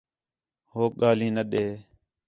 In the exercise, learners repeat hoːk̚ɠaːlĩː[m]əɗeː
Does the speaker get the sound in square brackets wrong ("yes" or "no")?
yes